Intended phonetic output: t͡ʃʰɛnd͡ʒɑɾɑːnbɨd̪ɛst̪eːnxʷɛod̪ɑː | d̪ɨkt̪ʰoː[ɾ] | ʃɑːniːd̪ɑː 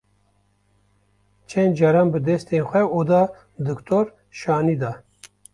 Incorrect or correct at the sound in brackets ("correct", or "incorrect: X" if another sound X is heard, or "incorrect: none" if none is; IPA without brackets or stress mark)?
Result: correct